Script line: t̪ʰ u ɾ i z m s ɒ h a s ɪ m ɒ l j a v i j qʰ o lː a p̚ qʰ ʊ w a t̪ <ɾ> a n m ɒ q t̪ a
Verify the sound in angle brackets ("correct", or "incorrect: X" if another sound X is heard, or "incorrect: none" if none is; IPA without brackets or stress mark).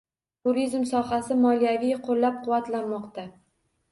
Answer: incorrect: l